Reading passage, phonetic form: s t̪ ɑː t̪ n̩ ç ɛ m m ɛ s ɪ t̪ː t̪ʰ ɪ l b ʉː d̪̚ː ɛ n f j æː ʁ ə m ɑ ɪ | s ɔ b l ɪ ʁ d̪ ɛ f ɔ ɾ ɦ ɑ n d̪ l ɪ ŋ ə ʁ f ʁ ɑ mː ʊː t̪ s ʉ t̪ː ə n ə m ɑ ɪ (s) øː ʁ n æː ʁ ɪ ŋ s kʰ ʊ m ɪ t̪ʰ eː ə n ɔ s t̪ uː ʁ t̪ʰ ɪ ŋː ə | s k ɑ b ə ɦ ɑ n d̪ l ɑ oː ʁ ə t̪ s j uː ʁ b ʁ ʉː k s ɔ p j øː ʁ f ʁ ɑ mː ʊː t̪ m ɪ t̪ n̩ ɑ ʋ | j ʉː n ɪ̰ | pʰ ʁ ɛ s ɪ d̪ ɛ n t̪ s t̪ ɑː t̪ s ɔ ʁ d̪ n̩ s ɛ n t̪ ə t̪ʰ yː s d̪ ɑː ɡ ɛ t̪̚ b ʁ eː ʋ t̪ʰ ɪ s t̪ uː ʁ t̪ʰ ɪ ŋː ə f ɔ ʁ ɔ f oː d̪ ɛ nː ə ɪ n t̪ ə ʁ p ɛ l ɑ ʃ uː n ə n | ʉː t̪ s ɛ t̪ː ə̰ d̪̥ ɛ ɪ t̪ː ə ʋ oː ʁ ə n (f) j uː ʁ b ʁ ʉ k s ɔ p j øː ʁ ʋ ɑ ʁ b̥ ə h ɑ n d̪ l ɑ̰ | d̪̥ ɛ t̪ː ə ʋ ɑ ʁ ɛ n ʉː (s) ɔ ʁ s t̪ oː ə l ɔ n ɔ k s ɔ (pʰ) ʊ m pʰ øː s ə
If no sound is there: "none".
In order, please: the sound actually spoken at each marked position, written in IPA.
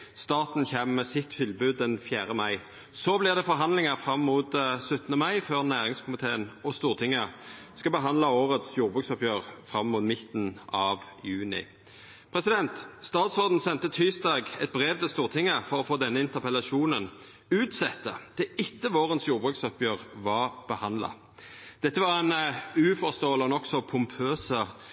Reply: f, s, f, pʰ

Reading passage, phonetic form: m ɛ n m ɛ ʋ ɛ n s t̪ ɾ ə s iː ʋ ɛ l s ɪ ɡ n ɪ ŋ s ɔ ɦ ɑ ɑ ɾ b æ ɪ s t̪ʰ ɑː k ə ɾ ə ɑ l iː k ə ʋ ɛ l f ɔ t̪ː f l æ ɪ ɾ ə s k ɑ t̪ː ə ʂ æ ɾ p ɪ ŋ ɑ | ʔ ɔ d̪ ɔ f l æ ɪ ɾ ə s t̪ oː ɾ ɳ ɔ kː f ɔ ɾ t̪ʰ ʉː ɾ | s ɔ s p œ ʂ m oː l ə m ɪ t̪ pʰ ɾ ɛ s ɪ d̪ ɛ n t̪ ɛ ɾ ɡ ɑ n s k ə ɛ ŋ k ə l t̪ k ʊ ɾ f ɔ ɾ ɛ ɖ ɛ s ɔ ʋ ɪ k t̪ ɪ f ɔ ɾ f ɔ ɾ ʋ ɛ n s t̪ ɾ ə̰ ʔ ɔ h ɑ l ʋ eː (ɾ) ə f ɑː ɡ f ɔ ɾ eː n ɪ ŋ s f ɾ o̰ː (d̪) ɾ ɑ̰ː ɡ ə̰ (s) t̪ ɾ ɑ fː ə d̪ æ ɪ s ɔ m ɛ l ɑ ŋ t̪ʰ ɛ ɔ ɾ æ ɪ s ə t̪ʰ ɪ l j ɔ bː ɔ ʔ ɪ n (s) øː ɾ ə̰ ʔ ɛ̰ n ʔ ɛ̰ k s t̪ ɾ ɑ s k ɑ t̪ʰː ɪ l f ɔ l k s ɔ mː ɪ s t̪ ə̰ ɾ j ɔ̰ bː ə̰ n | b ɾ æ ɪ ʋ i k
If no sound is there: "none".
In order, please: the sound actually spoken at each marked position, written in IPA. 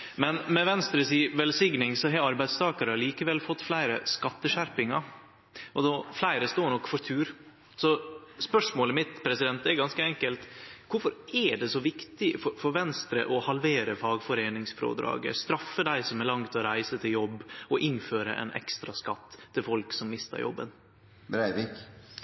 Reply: ɾ, d̪, s, f

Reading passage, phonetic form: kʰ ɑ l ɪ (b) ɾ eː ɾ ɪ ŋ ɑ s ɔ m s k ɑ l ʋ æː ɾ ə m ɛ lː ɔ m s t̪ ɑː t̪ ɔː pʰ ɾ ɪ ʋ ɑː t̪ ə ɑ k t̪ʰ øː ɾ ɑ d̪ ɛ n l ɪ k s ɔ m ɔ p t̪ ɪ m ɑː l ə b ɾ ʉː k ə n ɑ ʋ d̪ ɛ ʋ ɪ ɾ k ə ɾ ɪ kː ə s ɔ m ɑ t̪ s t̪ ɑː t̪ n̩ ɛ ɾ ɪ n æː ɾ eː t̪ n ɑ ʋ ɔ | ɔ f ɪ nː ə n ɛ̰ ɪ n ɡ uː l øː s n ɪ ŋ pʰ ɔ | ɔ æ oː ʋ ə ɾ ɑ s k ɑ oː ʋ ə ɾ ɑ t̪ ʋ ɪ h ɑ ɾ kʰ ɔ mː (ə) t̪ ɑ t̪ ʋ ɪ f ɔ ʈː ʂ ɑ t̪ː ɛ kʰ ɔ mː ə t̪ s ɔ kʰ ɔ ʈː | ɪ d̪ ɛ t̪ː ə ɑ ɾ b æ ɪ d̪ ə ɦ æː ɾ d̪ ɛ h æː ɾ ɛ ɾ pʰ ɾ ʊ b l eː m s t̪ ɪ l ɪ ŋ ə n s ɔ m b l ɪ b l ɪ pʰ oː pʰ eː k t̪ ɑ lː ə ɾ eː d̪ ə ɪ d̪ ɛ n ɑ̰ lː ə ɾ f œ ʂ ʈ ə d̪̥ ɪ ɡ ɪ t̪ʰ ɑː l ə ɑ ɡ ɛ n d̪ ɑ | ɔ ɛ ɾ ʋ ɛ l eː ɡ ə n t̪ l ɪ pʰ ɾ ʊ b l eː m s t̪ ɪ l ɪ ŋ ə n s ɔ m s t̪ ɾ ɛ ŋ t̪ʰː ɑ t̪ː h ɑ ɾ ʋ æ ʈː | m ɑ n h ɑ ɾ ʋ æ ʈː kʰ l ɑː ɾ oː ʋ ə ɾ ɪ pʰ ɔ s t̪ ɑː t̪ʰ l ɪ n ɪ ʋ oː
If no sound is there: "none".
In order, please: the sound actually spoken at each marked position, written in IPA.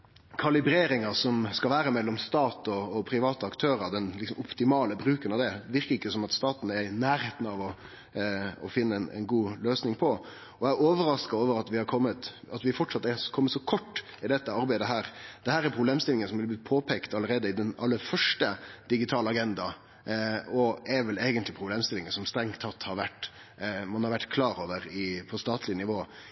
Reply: b, ə

